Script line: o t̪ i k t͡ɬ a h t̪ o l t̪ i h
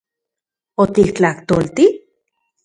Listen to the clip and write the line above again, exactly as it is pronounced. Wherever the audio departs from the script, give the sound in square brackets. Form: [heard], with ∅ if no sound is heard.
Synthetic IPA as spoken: o t̪ i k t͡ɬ a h t̪ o l t̪ i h